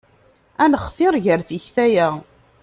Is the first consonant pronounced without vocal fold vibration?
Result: no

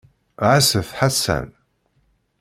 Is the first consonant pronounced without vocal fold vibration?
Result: no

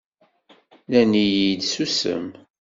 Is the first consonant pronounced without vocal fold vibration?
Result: no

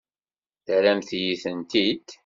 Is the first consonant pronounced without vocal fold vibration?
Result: yes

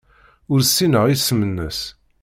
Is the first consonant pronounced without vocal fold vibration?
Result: no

